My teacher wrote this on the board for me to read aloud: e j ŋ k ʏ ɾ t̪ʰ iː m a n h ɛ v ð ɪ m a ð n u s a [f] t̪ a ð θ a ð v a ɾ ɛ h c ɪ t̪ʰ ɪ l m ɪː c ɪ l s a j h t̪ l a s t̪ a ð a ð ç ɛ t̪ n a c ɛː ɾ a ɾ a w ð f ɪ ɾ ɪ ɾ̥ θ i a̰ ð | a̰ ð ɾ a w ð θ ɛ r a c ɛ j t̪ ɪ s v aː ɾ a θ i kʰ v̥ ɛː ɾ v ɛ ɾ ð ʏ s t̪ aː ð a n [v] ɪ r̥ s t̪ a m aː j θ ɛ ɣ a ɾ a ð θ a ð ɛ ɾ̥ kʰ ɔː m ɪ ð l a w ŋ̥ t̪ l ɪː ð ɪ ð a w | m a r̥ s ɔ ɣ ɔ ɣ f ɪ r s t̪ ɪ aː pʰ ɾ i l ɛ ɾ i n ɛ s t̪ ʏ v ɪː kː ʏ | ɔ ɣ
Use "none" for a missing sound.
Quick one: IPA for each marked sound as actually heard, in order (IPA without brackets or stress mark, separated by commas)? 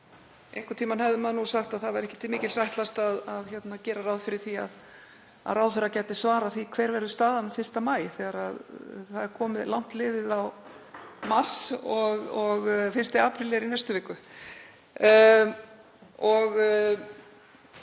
x, f